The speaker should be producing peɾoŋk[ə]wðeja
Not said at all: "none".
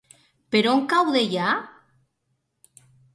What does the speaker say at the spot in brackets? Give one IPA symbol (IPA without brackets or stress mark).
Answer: a